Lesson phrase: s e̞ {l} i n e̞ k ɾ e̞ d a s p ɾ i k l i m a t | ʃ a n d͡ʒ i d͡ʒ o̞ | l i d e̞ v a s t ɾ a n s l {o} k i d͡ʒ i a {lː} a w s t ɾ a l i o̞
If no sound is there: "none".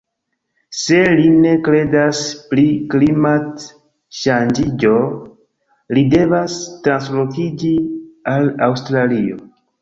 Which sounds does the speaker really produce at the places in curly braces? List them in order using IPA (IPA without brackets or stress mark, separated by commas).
l, o, l